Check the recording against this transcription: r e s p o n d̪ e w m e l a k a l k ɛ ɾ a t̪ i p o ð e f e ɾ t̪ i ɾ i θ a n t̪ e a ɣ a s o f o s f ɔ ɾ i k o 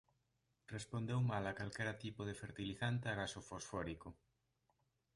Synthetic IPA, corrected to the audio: r e s p o n d̪ e w m a l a k a l k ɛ ɾ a t̪ i p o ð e f e ɾ t̪ i l i θ a n t̪ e a ɣ a s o f o s f ɔ ɾ i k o

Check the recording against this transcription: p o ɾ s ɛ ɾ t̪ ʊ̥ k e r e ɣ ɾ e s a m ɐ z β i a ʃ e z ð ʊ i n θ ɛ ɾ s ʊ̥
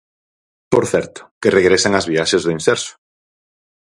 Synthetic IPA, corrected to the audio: p o ɾ θ ɛ ɾ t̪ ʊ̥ k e r e ɣ ɾ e s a ŋ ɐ z β i a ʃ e z ð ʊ i n s ɛ ɾ s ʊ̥

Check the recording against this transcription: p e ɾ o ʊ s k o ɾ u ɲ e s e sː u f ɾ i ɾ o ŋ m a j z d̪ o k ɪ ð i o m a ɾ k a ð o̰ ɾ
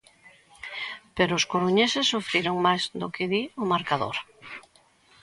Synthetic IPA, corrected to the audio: p e ɾ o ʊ s k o ɾ u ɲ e s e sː u f ɾ i ɾ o ŋ m a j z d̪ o k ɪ ð i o m a ɾ k a ð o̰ ɾ

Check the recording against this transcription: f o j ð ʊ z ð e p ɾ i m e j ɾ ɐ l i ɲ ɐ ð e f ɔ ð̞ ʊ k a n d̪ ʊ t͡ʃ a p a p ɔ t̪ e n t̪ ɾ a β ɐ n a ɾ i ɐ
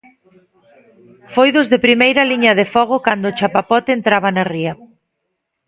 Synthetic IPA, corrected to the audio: f o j ð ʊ z ð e p ɾ i m e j ɾ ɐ l i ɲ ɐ ð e f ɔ ɣ̞ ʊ k a n d̪ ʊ t͡ʃ a p a p ɔ t̪ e n t̪ ɾ a β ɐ n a r i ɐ

